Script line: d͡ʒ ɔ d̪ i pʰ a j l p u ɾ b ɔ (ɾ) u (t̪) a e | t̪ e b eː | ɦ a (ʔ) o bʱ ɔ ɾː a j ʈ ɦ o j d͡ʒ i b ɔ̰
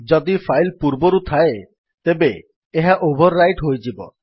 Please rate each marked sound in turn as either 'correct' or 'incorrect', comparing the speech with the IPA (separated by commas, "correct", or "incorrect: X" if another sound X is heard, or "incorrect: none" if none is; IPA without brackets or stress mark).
correct, incorrect: t̪ʰ, correct